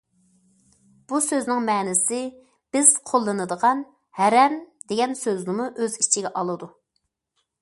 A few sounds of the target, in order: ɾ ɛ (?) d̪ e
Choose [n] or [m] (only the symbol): m